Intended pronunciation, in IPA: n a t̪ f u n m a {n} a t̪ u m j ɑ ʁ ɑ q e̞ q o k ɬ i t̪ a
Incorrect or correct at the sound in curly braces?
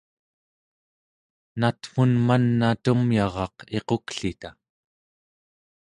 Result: incorrect: nː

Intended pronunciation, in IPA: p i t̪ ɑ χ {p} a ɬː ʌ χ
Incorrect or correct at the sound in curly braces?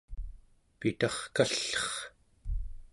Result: incorrect: k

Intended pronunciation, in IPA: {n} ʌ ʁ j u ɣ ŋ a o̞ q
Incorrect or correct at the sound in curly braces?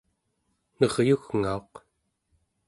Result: correct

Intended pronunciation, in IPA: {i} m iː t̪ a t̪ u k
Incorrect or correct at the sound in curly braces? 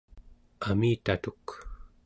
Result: incorrect: a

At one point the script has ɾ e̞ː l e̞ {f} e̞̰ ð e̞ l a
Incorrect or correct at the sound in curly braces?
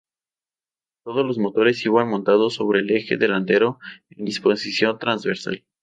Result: incorrect: x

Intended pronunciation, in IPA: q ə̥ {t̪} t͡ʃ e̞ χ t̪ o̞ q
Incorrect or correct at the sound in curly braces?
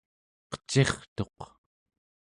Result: incorrect: none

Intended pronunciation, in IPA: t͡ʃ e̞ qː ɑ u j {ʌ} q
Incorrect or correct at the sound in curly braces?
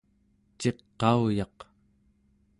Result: incorrect: ɑ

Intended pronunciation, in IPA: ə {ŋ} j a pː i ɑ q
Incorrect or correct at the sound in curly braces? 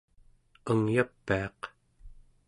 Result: correct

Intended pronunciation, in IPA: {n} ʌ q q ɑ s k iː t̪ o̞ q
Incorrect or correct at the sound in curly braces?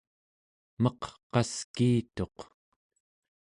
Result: incorrect: m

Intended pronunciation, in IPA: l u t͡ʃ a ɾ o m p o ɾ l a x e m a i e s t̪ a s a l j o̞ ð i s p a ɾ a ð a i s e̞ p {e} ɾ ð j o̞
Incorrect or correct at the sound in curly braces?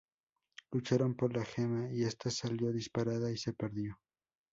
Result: correct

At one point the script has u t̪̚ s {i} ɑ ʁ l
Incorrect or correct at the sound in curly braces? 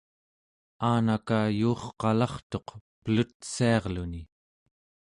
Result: correct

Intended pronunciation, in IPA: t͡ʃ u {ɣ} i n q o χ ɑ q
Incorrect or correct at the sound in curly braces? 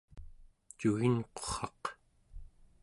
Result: correct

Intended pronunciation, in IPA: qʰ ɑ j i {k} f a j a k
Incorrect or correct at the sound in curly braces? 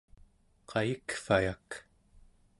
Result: correct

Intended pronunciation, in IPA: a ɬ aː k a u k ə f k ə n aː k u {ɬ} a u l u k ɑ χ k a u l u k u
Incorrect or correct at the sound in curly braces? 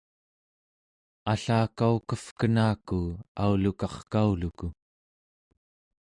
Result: incorrect: none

